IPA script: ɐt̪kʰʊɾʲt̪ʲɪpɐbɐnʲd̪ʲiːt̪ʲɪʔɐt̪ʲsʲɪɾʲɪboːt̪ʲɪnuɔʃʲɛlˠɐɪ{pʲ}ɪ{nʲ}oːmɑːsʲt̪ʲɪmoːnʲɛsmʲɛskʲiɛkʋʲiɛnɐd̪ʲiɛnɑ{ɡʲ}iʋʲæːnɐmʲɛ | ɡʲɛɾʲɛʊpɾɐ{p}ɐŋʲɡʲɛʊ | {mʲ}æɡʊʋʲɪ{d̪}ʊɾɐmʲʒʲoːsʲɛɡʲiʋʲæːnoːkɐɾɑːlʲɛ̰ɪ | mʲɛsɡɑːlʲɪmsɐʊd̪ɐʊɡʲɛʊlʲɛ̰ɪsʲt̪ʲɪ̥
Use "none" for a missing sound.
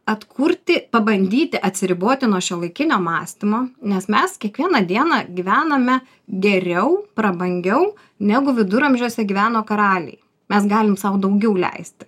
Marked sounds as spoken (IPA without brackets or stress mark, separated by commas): kʲ, nʲ, ɡʲ, b, nʲ, d̪